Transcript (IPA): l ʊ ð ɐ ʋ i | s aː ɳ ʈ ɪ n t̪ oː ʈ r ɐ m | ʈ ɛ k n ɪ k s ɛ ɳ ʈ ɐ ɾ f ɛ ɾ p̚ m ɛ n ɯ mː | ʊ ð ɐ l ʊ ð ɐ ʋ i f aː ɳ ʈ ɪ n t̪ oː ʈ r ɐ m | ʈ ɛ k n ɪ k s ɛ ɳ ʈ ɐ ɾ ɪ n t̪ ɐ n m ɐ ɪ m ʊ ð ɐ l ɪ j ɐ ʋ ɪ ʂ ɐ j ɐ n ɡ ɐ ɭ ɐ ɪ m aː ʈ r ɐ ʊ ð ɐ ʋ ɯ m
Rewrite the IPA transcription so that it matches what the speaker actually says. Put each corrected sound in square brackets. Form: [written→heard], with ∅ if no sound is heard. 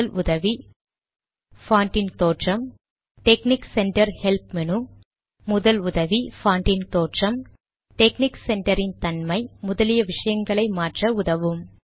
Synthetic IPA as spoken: l ʊ ð ɐ ʋ i | [s→f] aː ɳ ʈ ɪ n t̪ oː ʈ r ɐ m | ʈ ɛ k n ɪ k s ɛ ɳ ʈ ɐ ɾ [f→h] ɛ [ɾ→l] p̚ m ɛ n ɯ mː | ʊ ð ɐ l ʊ ð ɐ ʋ i f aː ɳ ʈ ɪ n t̪ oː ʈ r ɐ m | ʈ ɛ k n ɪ k s ɛ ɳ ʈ ɐ ɾ ɪ n t̪ ɐ n m ɐ ɪ m ʊ ð ɐ l ɪ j ɐ ʋ ɪ ʂ ɐ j ɐ [n→ŋ] ɡ ɐ ɭ ɐ ɪ m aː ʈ r ɐ ʊ ð ɐ ʋ ɯ m